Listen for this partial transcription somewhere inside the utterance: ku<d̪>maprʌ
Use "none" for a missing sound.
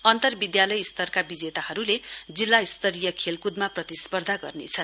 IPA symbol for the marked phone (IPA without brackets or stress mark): d̪